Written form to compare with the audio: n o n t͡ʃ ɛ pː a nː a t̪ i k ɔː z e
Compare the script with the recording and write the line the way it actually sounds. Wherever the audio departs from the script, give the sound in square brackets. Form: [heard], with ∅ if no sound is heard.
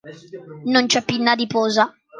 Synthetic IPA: n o n t͡ʃ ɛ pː [i] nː a [d̪] i [p] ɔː z [a]